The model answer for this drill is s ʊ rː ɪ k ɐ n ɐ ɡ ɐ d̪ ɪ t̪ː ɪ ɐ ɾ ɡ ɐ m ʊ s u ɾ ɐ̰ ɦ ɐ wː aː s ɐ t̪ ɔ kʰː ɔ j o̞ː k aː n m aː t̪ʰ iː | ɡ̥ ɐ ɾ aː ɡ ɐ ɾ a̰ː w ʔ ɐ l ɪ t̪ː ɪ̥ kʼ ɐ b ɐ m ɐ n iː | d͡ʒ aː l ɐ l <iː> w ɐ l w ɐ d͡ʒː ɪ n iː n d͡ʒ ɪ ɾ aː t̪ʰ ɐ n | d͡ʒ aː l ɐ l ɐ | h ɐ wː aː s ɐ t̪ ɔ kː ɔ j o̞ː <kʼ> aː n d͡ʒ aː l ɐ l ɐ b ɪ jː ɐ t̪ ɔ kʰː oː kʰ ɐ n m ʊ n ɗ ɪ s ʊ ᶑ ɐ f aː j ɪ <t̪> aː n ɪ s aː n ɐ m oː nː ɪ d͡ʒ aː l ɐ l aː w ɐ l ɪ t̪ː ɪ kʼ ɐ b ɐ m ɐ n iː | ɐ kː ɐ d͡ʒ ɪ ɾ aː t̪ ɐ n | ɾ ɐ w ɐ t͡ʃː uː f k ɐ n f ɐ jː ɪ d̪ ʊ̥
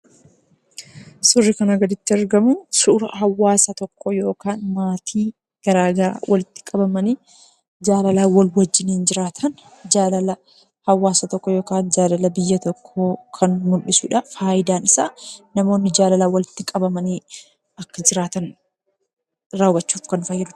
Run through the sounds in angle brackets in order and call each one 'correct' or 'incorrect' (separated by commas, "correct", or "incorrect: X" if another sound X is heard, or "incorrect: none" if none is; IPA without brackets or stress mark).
incorrect: aː, incorrect: k, incorrect: d̪